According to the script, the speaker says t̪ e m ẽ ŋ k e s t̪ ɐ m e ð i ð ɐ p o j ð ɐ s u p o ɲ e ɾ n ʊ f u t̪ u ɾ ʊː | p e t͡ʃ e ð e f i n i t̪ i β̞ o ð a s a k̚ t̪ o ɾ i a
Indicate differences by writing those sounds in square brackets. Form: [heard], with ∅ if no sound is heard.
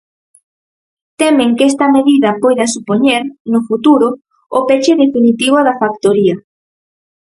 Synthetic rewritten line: t̪ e m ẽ ŋ k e s t̪ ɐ m e ð i ð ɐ p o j ð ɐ s u p o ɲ e ɾ n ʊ f u t̪ u ɾ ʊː | p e t͡ʃ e ð e f i n i t̪ i β̞ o ð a [f] a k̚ t̪ o ɾ i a